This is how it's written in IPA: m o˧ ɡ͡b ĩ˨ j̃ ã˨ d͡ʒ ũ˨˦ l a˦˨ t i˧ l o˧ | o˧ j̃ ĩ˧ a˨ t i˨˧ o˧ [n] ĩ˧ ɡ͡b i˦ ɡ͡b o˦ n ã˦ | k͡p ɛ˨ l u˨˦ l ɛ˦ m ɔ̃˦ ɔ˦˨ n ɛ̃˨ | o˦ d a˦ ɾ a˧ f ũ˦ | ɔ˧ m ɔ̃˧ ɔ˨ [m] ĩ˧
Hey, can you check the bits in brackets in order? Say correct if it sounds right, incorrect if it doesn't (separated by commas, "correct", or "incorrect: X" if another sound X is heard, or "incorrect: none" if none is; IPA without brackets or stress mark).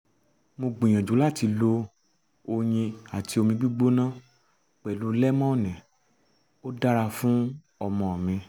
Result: incorrect: m, correct